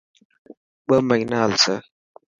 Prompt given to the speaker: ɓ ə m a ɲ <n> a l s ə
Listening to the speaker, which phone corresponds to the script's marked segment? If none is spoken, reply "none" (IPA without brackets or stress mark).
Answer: n